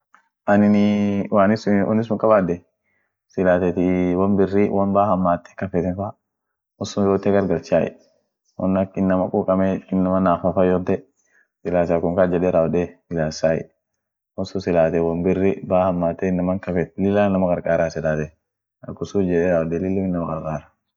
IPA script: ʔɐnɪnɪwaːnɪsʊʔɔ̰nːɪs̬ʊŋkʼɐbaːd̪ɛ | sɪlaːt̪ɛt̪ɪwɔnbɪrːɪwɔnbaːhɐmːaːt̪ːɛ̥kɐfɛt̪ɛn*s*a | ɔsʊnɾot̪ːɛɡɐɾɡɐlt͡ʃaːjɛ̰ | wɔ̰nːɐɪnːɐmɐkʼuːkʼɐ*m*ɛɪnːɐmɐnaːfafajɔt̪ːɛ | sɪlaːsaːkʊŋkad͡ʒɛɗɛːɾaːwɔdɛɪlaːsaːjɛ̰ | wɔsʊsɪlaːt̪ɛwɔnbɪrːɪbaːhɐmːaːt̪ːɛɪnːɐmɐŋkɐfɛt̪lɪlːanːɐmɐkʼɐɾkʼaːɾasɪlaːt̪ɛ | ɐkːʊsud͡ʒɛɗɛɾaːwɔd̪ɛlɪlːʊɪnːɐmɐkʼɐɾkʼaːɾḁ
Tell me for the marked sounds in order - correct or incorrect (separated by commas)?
incorrect, correct